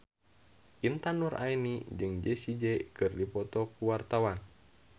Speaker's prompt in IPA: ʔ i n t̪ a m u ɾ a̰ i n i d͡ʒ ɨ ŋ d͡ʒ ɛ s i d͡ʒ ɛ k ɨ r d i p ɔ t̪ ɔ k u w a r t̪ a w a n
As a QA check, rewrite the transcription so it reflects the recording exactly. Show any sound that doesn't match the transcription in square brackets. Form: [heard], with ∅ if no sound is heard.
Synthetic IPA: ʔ i n t̪ a [n] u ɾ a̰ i n i d͡ʒ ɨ ŋ d͡ʒ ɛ s i d͡ʒ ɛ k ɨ r d i p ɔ t̪ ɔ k u w a r t̪ a w a n

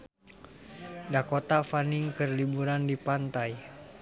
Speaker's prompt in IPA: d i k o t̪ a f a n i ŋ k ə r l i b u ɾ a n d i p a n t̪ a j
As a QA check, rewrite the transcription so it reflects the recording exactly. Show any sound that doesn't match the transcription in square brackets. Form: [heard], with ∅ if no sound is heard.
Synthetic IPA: d [a] k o t̪ a f a n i ŋ k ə r l i b u ɾ a n d i p a n t̪ a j

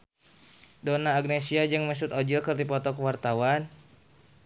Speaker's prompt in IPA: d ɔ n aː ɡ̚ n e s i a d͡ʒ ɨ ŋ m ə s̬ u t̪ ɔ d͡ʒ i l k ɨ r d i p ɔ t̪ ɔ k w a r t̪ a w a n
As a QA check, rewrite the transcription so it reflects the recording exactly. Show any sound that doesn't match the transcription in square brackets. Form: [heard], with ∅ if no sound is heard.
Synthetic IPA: d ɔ n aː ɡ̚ n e s i a d͡ʒ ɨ ŋ m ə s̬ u t̪ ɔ d͡ʒ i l k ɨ r d i p ɔ t̪ ɔ k w a r t̪ a w a n

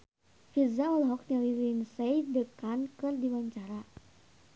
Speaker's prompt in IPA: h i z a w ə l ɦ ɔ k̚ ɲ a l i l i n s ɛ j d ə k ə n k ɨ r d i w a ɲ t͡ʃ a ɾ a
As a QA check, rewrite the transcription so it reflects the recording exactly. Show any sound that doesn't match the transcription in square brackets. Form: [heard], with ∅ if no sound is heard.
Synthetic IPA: [f] i z a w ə l ɦ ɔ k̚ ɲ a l i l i n s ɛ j d ə k [a] n k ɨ r d i w a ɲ t͡ʃ a ɾ a

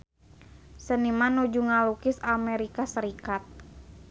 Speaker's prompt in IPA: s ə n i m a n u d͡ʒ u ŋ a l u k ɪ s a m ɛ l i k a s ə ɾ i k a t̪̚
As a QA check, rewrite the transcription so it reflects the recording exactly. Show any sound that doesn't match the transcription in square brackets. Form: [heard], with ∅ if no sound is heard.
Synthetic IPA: s ə n i m a n u d͡ʒ u ŋ a l u k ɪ s a m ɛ [ɾ] i k a s ə ɾ i k a t̪̚

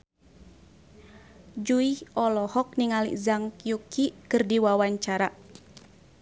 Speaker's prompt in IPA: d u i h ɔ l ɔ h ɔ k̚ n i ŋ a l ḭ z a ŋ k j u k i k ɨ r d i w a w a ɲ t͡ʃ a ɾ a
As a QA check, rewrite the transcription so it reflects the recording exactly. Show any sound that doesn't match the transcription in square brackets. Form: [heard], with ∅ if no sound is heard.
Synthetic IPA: [d͡ʒ] u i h ɔ l ɔ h ɔ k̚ n i ŋ a l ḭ z a ŋ k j u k i k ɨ r d i w a w a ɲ t͡ʃ a ɾ a

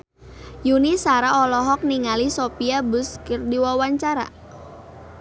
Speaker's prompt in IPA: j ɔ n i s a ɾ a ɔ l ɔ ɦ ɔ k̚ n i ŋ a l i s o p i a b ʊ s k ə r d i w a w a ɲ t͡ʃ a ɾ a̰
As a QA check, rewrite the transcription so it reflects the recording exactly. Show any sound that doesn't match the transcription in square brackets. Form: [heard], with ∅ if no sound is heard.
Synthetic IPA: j [u] n i s a ɾ a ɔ l ɔ ɦ ɔ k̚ n i ŋ a l i s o p i a b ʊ s k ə r d i w a w a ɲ t͡ʃ a ɾ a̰

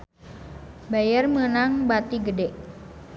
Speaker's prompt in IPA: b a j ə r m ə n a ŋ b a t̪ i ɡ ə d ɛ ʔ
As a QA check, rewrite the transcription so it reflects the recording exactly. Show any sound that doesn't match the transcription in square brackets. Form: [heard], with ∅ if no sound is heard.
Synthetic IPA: b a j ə r m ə n a ŋ b a t̪ i ɡ ə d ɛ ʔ

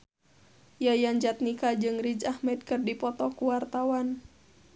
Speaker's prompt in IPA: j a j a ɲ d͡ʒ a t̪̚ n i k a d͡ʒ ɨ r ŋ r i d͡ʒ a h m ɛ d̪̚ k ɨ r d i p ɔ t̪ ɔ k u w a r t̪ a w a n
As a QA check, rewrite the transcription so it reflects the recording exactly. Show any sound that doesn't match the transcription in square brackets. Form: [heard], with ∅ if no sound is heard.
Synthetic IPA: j a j a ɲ d͡ʒ a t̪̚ n i k a d͡ʒ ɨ [∅] ŋ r i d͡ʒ a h m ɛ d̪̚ k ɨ r d i p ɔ t̪ ɔ k u w a r t̪ a w a n

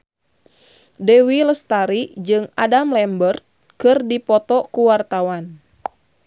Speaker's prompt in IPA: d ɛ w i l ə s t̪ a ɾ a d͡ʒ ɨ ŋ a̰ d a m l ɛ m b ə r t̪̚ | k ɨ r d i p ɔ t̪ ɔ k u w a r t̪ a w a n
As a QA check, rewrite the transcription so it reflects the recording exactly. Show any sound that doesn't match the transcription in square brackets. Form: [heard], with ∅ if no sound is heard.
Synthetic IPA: d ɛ w i l ə s t̪ a ɾ [i] d͡ʒ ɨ ŋ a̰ d a m l ɛ m b ə r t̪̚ | k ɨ r d i p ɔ t̪ ɔ k u w a r t̪ a w a n

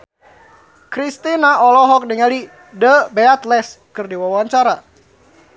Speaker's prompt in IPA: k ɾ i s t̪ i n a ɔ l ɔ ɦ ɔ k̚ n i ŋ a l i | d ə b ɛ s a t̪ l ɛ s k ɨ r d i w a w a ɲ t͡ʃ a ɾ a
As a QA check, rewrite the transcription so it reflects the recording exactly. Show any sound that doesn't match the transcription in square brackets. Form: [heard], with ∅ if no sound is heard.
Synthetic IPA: k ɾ i s t̪ i n a ɔ l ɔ ɦ ɔ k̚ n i ŋ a l i | d ə b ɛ [∅] a t̪ l ɛ s k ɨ r d i w a w a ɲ t͡ʃ a ɾ a

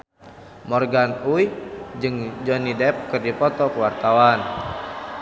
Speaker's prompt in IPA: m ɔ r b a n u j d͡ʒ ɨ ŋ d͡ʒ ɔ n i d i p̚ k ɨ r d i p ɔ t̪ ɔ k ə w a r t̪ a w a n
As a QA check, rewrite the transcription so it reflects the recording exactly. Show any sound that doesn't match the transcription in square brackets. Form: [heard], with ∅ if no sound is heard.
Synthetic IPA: m ɔ r [ɡ] a n u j d͡ʒ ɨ ŋ d͡ʒ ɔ n i d [ɛ] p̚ k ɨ r d i p ɔ t̪ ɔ k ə w a r t̪ a w a n

